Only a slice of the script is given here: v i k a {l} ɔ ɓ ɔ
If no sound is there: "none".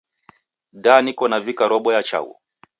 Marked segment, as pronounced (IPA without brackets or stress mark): ɾ